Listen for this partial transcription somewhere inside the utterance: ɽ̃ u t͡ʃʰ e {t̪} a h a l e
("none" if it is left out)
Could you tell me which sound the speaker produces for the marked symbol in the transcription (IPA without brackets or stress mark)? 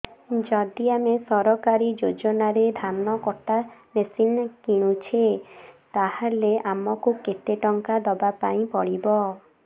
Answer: t̪